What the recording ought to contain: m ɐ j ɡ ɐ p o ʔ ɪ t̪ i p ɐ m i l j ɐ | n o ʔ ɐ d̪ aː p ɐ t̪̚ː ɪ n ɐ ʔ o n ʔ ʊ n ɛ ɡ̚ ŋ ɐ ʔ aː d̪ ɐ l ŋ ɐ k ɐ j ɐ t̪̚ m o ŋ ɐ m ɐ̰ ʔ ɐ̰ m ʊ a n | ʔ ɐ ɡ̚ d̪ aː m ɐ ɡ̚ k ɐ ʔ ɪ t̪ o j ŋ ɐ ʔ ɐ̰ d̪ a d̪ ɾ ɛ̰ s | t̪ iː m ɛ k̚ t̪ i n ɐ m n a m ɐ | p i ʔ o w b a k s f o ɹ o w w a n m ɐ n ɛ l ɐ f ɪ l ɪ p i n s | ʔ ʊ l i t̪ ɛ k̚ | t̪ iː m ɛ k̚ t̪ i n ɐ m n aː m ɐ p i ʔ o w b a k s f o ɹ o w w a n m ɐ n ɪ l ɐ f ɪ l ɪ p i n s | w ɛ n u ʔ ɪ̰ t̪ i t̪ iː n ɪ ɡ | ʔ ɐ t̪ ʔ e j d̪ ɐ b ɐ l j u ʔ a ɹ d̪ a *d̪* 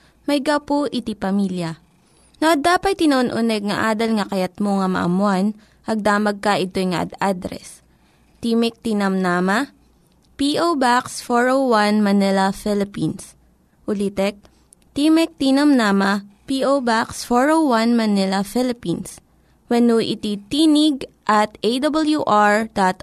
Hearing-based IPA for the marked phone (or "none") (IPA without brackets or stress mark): t̪